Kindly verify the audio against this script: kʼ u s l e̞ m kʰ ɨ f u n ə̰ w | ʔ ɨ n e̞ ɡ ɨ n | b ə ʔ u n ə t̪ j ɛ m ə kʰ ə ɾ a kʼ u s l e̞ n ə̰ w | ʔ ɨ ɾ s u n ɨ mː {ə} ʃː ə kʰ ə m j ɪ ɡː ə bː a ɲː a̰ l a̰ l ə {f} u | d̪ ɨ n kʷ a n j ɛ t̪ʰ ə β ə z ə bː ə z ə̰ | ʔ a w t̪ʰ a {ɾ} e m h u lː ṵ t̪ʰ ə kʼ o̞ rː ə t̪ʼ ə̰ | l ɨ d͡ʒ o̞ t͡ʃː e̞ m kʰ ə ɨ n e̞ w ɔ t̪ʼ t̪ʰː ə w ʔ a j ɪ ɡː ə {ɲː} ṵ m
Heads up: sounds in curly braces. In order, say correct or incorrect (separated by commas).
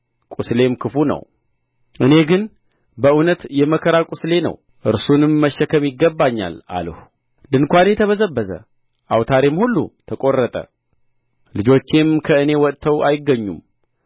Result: correct, incorrect, correct, correct